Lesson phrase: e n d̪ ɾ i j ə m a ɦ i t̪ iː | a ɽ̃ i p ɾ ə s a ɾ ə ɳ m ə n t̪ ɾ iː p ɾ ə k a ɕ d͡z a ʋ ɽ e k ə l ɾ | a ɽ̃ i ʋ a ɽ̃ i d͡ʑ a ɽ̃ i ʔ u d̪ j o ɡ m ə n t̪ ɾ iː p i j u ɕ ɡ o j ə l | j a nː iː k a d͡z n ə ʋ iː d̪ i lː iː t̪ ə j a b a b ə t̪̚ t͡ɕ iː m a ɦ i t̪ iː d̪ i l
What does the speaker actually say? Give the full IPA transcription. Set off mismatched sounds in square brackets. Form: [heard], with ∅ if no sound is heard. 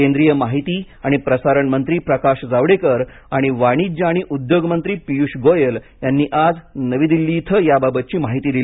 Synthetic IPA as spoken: e n d̪ ɾ i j ə m a ɦ i t̪ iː | a ɽ̃ i p ɾ ə s a ɾ ə ɳ m ə n t̪ ɾ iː p ɾ ə k a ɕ d͡z a ʋ ɽ e k ə [∅] ɾ | a ɽ̃ i ʋ a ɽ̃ i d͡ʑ a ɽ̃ i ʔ u d̪ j o ɡ m ə n t̪ ɾ iː p i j u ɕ ɡ o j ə l | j a nː iː [ʔ] a d͡z n ə ʋ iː d̪ i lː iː [t̪ʰ] ə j a b a b ə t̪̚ t͡ɕ iː m a ɦ i t̪ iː d̪ i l